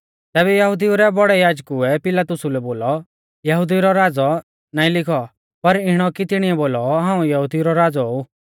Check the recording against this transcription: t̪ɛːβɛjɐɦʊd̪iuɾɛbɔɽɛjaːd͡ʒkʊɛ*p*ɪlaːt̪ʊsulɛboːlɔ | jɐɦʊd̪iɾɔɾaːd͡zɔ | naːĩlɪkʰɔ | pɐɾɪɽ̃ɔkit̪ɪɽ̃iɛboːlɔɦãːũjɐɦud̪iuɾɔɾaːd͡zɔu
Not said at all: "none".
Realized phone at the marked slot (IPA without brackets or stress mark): p